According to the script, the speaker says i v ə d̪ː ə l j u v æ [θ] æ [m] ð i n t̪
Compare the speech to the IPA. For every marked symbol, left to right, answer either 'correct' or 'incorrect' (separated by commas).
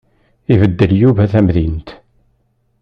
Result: correct, correct